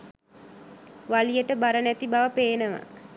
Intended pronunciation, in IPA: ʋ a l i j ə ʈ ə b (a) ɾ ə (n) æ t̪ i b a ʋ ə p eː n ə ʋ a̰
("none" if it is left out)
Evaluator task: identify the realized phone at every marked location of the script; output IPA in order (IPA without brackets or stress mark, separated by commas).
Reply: a, n